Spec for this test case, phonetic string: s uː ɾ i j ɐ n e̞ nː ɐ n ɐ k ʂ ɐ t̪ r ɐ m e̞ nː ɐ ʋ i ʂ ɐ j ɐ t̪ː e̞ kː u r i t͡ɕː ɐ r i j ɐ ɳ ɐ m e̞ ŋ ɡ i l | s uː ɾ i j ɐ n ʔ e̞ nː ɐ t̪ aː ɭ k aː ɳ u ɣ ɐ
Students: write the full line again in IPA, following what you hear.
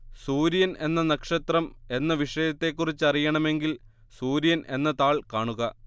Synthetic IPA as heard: s uː ɾ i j ɐ n e̞ nː ɐ n ɐ k ʂ ɐ t̪ r ɐ m e̞ nː ɐ ʋ i ʂ ɐ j ɐ t̪ː e̞ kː u r i t͡ɕː ɐ r i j ɐ ɳ ɐ m e̞ ŋ ɡ i l | s uː ɾ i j ɐ n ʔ e̞ nː ɐ t̪ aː ɭ k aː ɳ u ɣ ɐ